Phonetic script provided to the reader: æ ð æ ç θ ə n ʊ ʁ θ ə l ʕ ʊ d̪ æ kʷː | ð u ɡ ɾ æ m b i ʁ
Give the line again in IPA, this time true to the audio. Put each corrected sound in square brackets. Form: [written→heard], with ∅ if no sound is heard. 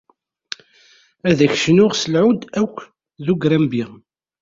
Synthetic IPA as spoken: æ ð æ ç [θ→ʃ] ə n ʊ ʁ [θ→s] ə l ʕ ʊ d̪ æ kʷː | ð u ɡ ɾ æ m b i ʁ